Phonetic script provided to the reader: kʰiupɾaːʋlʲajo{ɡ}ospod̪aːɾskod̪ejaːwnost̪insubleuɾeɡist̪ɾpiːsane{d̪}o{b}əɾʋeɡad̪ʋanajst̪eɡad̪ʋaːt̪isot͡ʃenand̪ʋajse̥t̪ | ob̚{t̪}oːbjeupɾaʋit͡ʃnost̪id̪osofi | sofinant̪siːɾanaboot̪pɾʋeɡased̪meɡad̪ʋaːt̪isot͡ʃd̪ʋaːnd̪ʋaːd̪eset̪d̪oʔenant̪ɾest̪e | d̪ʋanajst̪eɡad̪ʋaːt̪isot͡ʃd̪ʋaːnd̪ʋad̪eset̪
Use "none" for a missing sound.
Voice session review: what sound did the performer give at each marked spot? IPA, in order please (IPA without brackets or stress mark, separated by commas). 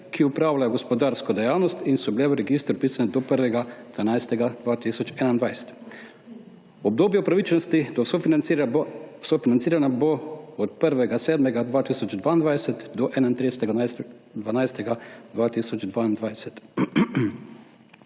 ɡ, d̪, p, d̪